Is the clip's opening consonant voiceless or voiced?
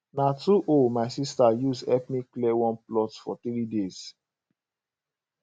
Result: voiced